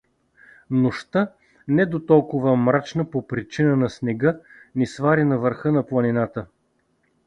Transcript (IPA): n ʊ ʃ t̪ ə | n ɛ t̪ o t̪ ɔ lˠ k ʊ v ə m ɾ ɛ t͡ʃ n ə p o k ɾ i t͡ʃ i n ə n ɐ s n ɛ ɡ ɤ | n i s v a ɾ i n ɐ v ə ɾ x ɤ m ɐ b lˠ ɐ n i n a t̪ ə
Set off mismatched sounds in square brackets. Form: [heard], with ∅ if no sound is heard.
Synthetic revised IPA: n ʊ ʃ t̪ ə | n ɛ [d̪] o t̪ ɔ lˠ k ʊ v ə m ɾ [a] t͡ʃ n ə p o [p] ɾ i t͡ʃ i n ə n ɐ s n ɛ ɡ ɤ | n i s v a ɾ i n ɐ v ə ɾ x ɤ [n] ɐ [p] lˠ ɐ n i n a t̪ ə